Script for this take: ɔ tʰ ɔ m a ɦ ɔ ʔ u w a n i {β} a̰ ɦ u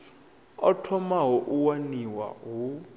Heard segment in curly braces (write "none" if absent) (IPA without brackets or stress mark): w